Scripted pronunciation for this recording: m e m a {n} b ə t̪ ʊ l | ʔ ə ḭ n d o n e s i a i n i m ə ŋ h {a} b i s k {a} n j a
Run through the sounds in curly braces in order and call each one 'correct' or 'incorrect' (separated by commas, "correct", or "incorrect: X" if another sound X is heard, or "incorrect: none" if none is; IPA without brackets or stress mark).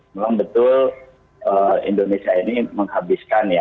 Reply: incorrect: ŋ, correct, correct